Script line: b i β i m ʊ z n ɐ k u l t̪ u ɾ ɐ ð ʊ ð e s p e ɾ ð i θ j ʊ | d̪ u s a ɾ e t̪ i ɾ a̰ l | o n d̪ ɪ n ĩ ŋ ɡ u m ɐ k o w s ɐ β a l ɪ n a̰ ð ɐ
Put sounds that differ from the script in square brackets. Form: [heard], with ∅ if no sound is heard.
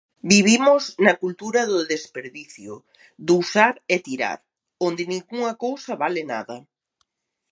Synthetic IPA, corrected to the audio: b i β i m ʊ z n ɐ k u l t̪ u ɾ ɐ ð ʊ ð e s p e ɾ ð i θ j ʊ | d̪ u s a ɾ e t̪ i ɾ a̰ [ɾ] | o n d̪ ɪ n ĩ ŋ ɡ u [ŋ] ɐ k o w s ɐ β a l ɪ n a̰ ð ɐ